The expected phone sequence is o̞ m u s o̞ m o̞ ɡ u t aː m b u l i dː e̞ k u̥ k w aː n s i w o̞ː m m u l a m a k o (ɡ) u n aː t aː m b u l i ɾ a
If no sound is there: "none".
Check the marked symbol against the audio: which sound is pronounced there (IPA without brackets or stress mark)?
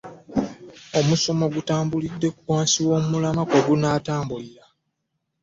ɡ